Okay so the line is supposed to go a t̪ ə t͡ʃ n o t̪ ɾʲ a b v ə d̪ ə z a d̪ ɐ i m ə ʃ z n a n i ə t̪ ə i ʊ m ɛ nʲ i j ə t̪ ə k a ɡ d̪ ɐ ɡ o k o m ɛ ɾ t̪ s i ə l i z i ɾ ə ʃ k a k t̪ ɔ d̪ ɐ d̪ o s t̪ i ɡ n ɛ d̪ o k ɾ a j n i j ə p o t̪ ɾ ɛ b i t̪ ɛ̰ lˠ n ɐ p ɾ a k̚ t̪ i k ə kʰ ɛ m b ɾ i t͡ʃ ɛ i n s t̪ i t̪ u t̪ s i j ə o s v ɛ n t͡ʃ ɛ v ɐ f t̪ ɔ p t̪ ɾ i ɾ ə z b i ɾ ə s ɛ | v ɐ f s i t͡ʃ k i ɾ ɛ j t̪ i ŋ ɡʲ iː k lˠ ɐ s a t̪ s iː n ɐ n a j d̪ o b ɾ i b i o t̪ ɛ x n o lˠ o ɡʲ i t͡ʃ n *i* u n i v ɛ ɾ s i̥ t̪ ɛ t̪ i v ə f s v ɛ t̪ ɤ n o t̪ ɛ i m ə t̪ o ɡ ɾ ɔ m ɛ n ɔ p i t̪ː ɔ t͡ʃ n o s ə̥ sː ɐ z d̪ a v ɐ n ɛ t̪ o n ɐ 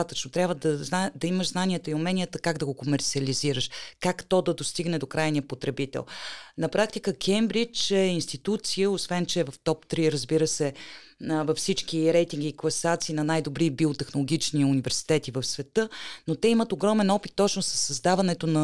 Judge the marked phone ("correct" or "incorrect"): correct